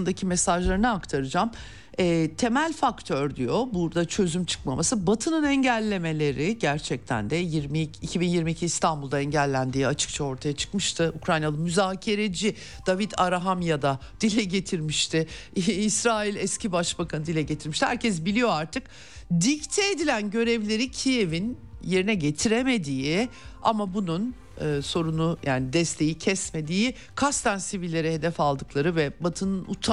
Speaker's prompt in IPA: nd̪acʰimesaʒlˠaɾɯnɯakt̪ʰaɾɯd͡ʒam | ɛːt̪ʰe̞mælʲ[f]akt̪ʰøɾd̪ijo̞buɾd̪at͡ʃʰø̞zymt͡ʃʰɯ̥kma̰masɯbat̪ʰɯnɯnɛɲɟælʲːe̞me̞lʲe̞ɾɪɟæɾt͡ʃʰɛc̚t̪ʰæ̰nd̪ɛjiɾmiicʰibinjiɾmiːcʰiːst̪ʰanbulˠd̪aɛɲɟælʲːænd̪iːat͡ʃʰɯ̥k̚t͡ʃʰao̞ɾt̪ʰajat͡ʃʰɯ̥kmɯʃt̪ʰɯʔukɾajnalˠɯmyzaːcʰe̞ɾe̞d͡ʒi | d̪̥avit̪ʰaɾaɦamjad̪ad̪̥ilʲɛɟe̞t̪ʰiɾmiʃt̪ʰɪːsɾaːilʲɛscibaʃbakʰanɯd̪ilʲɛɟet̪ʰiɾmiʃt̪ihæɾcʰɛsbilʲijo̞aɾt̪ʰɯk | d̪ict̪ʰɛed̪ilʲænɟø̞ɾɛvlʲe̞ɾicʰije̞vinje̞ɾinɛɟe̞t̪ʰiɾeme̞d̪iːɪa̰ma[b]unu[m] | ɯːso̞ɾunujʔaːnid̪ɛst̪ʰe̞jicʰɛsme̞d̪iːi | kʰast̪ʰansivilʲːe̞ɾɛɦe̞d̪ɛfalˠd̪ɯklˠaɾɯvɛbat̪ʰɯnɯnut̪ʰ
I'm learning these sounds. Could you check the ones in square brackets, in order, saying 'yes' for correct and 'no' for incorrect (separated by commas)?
yes, yes, no